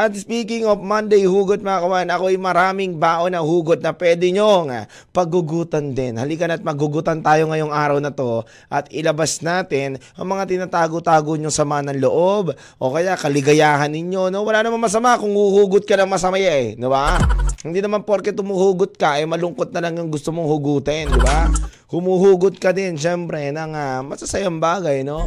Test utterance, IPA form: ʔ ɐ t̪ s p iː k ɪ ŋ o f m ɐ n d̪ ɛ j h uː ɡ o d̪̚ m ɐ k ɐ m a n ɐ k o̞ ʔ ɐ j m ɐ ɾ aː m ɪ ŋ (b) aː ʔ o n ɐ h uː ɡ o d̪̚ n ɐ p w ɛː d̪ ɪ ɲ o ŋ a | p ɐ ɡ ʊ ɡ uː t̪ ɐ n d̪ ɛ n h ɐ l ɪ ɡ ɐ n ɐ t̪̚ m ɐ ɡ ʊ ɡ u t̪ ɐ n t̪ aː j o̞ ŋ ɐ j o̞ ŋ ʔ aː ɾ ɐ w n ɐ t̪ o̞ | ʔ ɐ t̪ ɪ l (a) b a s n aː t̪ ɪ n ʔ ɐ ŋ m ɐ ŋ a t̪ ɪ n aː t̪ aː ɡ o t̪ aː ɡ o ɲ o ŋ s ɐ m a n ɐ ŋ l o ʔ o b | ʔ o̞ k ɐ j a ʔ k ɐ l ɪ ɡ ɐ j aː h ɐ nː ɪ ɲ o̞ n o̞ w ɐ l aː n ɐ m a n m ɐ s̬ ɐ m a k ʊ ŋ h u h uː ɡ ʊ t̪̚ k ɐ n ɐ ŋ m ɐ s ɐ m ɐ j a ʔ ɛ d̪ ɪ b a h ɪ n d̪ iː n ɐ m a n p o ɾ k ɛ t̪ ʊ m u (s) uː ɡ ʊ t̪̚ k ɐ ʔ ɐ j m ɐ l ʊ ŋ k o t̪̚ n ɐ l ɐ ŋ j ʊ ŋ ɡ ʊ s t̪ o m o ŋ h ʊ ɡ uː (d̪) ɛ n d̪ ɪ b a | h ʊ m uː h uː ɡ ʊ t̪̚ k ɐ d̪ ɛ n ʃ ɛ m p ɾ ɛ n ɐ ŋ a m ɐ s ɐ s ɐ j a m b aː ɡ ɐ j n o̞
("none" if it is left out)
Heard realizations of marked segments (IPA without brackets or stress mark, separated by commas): b, ɐ, h, t̪